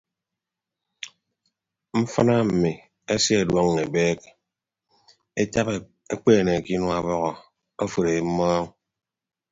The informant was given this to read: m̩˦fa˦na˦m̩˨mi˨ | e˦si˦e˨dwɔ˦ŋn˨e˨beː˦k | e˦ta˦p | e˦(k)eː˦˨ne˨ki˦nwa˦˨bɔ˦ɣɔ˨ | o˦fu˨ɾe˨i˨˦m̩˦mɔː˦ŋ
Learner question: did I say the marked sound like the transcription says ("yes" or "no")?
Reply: no